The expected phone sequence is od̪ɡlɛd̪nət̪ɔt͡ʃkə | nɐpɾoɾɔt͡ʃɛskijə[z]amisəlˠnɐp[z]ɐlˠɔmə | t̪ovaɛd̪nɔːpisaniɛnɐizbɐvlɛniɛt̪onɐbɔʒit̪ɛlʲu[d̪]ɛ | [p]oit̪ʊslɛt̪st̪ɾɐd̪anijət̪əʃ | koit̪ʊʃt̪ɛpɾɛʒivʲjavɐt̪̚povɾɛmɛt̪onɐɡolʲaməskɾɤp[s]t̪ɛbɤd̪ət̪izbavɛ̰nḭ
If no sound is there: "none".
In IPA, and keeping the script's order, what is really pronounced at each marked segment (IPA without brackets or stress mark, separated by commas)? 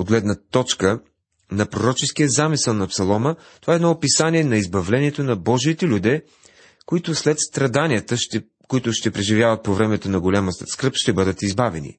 z, s, d̪, k, ʃ